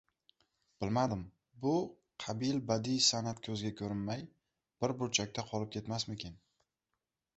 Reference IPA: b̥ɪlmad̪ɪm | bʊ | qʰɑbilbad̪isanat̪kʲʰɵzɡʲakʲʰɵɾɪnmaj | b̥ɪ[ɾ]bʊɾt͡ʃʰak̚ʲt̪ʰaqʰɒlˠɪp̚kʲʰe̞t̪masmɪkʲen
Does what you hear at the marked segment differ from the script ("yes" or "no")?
no